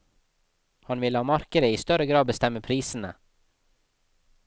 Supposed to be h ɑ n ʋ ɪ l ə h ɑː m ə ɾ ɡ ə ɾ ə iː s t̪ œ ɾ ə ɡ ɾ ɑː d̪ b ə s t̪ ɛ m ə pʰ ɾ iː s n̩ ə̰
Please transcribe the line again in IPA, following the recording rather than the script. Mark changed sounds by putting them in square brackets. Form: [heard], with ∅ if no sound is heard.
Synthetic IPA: h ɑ n ʋ ɪ l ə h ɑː m [ɑ] ɾ [k] ə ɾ ə iː s t̪ œ ɾ ə ɡ ɾ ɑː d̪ b ə s t̪ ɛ m ə pʰ ɾ iː s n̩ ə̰